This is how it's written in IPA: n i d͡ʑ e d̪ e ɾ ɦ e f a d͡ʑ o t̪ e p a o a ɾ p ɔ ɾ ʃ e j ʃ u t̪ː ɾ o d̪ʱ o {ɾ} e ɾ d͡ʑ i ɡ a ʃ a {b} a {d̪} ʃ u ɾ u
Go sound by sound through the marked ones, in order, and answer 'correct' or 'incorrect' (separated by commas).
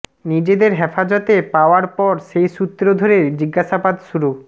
correct, correct, correct